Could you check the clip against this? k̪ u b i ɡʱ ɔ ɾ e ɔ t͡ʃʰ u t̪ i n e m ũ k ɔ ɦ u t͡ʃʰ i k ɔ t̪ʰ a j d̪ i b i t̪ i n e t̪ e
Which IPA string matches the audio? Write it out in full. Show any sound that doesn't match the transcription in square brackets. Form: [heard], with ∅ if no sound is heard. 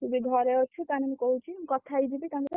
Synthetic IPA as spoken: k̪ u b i ɡʱ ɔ ɾ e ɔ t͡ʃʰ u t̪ [a] n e m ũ k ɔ ɦ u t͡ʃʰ i k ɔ t̪ʰ a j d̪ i b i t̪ [a] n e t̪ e

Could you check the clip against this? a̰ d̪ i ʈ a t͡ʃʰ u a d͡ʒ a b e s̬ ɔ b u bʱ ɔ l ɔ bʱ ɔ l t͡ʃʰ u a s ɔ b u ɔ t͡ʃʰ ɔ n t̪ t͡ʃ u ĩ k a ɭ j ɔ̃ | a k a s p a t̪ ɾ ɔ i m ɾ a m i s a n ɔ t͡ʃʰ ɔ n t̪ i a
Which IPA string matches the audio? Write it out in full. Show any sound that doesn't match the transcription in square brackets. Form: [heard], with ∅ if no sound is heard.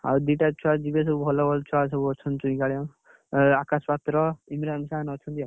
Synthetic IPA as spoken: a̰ d̪ i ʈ a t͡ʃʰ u a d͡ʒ [i] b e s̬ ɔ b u bʱ ɔ l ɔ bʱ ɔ l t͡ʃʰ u a s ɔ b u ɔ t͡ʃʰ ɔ n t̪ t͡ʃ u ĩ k a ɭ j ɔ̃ | a k a s p a t̪ ɾ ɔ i m ɾ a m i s a n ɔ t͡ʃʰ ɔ n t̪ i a

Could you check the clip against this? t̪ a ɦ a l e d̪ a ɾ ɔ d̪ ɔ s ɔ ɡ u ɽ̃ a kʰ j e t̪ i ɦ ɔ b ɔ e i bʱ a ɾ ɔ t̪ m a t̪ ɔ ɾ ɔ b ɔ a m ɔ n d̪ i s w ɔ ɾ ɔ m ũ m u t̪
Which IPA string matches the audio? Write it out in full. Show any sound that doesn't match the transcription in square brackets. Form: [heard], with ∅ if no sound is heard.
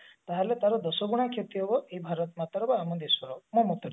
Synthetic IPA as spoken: t̪ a ɦ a l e [t̪] a ɾ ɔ d̪ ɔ s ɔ ɡ u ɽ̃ a kʰ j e t̪ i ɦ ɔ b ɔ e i bʱ a ɾ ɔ t̪ m a t̪ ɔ ɾ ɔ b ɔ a m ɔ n d̪ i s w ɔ ɾ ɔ m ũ m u t̪

